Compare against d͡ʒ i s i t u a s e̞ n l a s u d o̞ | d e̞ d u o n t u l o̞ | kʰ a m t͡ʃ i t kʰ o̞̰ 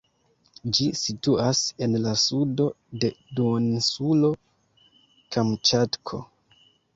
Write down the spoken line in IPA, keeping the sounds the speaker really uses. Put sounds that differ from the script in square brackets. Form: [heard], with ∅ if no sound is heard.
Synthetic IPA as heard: d͡ʒ i s i t u a s e̞ n l a s u d o̞ | d e̞ d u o n [s] u l o̞ | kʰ a m t͡ʃ [a] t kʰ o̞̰